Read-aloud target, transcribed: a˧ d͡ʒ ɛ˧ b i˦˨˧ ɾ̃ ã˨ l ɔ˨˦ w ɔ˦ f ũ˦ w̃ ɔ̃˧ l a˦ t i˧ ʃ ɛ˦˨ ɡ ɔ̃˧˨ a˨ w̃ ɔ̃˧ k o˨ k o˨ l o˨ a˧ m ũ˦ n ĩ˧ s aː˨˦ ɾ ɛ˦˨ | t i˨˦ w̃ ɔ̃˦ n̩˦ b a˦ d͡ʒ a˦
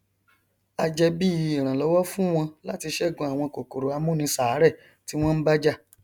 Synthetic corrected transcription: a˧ d͡ʒ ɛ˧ b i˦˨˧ ɾ̃ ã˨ l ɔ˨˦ w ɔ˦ f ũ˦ w̃ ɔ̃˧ l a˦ t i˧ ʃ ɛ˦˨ ɡ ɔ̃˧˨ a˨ w̃ ɔ̃˧ k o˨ k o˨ ɾ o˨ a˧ m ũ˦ n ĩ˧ s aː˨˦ ɾ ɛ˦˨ | t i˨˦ w̃ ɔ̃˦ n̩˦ b a˦ d͡ʒ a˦